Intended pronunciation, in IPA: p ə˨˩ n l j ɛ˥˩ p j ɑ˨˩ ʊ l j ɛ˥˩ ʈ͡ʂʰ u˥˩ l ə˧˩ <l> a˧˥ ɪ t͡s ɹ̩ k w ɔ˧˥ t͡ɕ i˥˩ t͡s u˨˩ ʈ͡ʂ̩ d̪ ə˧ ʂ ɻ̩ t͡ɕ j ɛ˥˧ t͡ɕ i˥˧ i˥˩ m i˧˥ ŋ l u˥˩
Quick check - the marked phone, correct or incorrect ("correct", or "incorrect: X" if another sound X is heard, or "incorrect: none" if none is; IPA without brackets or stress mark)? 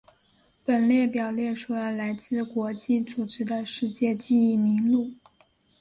correct